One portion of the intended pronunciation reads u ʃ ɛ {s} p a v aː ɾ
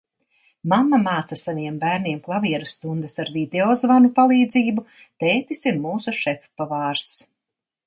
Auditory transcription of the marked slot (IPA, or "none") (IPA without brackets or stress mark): f